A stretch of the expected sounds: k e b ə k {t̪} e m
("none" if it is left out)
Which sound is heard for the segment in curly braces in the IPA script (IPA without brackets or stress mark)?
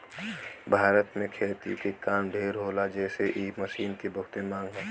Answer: t̪